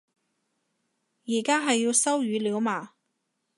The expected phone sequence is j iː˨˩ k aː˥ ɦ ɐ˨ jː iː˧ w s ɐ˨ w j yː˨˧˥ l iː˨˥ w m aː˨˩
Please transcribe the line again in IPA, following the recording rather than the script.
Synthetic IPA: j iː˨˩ k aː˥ ɦ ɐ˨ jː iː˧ w s ɐ˥ w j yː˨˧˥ l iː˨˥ w m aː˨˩